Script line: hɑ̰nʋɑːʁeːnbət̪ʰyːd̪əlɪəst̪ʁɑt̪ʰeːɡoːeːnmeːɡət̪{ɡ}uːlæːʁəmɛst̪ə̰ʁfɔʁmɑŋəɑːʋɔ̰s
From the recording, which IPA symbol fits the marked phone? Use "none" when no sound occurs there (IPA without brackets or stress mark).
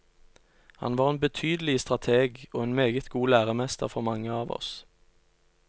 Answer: ɡ